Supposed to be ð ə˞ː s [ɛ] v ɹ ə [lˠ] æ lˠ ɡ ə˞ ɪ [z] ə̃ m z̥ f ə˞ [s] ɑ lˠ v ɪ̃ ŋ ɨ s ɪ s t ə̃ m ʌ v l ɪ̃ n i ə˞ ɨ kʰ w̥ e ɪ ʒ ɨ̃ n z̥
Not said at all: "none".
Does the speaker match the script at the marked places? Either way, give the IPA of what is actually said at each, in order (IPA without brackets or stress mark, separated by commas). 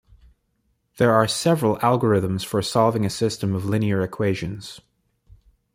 ɛ, lˠ, ð, s